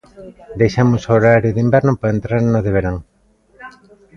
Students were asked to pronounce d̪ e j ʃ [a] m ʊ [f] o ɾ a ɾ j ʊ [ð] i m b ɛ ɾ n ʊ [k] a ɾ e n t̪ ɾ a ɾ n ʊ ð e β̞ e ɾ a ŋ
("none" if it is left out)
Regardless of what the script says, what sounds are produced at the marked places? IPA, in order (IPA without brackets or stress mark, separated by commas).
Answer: a, s, ð, p